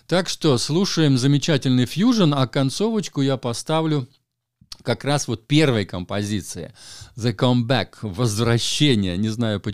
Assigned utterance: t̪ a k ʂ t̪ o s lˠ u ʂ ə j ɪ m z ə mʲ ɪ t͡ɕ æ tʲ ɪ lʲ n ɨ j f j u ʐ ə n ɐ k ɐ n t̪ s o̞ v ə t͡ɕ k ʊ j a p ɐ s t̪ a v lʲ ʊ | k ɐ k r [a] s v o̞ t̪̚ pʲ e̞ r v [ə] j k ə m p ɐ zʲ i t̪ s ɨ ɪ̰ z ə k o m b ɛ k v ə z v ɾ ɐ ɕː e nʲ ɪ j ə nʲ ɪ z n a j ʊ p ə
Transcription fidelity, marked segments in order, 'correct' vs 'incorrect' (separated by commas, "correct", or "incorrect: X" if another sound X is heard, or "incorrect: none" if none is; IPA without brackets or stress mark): correct, correct